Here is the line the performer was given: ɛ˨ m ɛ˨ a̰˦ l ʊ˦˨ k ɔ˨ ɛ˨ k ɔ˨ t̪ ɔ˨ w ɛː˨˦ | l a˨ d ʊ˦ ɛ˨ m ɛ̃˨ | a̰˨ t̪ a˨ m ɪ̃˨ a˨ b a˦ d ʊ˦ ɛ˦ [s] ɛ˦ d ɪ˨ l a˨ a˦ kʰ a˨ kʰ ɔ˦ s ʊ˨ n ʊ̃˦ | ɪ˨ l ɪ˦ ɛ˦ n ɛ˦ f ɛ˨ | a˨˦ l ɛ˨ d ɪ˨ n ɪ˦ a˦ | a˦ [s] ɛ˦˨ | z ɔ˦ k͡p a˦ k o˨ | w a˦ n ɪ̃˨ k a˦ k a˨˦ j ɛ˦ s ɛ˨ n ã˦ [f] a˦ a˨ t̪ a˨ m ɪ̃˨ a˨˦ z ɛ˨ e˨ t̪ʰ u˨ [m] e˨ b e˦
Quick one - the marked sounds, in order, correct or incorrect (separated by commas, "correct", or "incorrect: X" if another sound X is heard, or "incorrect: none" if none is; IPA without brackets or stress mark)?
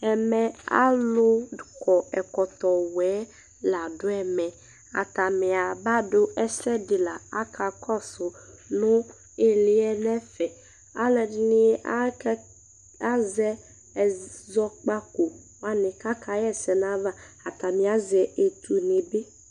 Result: correct, incorrect: z, incorrect: v, incorrect: n